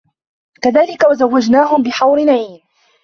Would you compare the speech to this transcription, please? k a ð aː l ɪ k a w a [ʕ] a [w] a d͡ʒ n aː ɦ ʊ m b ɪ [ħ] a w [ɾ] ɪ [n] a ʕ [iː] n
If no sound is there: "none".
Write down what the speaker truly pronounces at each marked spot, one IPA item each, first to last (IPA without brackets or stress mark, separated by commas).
z, wː, ħ, ɾ, n, iː